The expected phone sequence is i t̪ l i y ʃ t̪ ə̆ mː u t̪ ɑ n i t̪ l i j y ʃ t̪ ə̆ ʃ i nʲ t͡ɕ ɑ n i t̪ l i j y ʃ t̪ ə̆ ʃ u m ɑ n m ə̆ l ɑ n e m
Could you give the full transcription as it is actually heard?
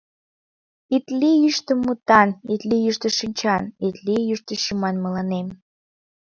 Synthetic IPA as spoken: i t̪ l i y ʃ t̪ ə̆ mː u t̪ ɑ n i t̪ l i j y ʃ t̪ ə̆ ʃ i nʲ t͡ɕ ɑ n i t̪ l i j y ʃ t̪ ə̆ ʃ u m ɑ n m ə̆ l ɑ n e m